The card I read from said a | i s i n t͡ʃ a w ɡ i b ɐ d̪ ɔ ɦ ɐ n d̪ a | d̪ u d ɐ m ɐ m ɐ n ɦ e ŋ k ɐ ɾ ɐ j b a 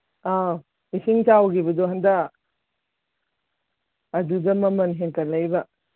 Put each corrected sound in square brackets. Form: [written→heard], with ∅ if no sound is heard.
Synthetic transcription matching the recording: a | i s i [n→ŋ] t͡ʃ a w ɡ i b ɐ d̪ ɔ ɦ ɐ n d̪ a | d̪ u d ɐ m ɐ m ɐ n ɦ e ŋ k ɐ [ɾ→l] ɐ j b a